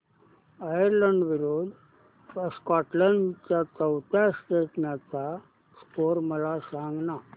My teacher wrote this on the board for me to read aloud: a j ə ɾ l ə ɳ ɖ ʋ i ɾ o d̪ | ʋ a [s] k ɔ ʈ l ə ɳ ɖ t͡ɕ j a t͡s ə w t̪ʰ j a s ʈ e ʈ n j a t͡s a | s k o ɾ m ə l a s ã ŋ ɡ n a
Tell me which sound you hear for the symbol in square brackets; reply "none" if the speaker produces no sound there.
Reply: s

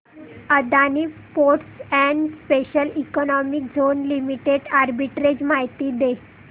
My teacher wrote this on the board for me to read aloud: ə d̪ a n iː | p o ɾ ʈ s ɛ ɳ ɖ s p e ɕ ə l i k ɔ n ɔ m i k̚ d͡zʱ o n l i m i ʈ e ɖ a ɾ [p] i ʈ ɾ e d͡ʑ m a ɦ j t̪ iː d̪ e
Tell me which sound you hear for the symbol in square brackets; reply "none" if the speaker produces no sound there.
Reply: b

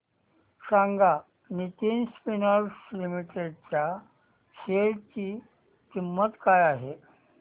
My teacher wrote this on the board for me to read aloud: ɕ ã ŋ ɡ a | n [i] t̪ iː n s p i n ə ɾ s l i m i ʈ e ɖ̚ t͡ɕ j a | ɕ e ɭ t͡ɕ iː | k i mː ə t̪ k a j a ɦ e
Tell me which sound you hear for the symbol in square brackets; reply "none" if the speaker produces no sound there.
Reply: i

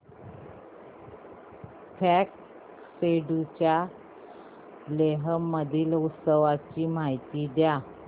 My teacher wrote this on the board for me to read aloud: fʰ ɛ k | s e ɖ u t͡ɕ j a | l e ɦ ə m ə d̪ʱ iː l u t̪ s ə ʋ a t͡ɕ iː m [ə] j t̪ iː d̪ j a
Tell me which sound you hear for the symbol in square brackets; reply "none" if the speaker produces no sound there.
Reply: a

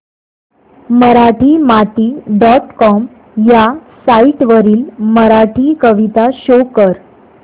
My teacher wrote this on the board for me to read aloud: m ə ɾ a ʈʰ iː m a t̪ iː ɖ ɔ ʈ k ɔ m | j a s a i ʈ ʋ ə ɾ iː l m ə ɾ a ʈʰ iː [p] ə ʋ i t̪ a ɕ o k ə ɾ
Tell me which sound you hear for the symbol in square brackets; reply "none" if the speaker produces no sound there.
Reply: k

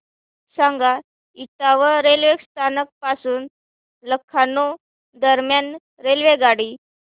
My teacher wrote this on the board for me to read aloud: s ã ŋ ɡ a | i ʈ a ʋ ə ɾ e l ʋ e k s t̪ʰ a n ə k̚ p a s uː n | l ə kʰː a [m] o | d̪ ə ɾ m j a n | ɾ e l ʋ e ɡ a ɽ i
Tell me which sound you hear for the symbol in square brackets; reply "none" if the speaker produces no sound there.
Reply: n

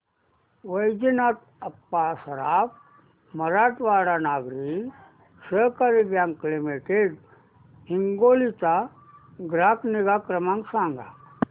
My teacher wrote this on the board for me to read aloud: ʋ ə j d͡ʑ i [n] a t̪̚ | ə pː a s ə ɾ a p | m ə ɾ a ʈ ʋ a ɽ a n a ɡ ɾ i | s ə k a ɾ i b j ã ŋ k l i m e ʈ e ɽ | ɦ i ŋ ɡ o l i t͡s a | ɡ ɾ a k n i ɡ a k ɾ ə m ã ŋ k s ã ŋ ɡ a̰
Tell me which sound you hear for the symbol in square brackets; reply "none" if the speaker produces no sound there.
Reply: n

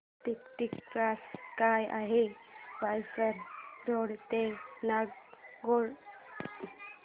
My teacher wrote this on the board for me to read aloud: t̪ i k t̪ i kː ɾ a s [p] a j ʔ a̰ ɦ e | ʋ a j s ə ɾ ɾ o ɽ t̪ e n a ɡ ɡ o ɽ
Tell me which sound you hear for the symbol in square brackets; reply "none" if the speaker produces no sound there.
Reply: k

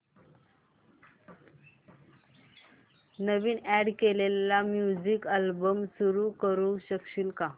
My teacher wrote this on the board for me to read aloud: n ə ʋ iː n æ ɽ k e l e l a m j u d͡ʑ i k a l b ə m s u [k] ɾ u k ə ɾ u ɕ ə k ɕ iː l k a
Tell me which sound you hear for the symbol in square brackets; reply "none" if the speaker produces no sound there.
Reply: none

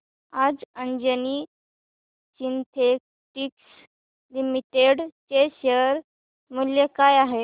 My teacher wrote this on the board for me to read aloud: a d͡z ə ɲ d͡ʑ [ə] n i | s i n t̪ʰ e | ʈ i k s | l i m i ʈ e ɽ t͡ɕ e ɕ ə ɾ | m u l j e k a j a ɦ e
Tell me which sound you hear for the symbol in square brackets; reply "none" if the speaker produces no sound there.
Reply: ə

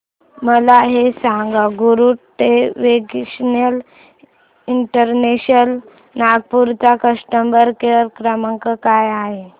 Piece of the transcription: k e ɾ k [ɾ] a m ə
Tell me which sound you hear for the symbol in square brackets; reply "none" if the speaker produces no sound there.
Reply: ɾ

